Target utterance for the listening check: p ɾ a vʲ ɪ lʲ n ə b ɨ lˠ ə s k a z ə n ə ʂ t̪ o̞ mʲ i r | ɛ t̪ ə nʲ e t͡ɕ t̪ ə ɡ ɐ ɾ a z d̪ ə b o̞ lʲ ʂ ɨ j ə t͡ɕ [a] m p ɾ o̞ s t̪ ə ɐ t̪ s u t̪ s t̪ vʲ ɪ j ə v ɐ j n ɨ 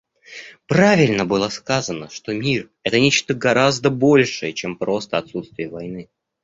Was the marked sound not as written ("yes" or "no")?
yes